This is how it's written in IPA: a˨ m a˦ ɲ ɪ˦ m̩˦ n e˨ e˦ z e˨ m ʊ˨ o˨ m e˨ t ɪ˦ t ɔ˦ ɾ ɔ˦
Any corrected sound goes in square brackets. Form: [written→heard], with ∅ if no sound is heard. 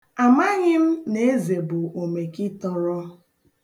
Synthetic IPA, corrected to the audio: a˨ m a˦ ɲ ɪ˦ m̩˦ n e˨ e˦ z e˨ [m→b] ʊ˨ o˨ m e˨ [t→k] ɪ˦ t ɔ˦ ɾ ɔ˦